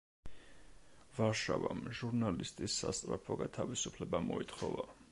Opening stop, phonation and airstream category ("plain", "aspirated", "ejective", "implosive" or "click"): ejective